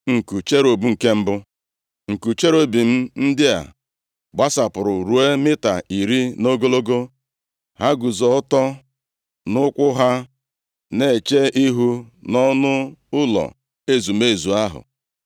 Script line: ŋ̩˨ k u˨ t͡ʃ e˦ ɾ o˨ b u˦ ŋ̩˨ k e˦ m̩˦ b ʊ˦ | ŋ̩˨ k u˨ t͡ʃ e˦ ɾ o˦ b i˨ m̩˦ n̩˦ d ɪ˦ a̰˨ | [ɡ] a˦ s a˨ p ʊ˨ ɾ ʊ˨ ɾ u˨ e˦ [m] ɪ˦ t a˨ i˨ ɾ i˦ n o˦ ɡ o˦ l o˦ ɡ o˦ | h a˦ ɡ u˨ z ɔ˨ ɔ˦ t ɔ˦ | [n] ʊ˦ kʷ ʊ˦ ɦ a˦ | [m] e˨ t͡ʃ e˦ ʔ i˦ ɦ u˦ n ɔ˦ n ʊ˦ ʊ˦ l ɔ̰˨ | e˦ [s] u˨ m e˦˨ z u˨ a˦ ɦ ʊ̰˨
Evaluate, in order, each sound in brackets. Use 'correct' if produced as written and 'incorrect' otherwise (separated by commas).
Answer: incorrect, correct, correct, incorrect, incorrect